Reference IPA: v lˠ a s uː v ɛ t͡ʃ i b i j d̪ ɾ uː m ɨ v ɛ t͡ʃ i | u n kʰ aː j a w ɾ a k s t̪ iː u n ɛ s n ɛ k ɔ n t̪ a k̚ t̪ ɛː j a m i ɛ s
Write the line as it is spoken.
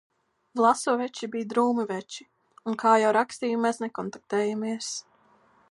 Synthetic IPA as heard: v lˠ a s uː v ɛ t͡ʃ i b i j d̪ ɾ uː m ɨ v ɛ t͡ʃ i | u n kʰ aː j a w ɾ a k s t̪ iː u m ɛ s n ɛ k ɔ n t̪ a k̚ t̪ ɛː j a m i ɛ s

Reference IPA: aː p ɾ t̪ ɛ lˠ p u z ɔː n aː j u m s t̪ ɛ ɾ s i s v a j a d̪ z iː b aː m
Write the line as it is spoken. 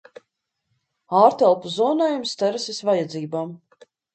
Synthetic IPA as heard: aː ɾ t̪ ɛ lˠ p u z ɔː n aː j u m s t̪ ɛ ɾ s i s v a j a d̪ z iː b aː m

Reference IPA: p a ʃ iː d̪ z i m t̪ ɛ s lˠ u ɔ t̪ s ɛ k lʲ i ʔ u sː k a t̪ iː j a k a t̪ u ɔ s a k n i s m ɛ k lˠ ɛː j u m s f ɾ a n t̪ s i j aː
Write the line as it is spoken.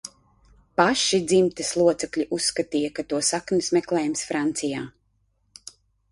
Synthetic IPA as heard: p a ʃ i d̪ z i m t̪ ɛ s lˠ u ɔ t̪ s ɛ k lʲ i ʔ u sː k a t̪ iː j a k a t̪ u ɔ s a k n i s m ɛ k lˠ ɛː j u m s f ɾ a n t̪ s i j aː

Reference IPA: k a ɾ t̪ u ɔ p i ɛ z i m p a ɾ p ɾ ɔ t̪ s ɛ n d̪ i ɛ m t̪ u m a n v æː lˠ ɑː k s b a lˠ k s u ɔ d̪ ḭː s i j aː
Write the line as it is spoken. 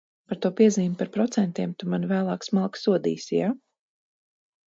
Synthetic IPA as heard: p a ɾ t̪ u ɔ p i ɛ z iː m p a ɾ p ɾ ɔ t̪ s ɛ n t̪ i ɛ m t̪ u m a n v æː lˠ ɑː k s m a lˠ k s u ɔ d̪ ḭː s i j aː

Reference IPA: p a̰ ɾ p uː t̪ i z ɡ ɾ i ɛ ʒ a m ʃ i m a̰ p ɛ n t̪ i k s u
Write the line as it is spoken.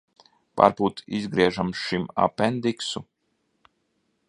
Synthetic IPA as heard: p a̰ ɾ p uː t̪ i z ɡ ɾ i ɛ ʒ a m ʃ i m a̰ p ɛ n d̪ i k s u

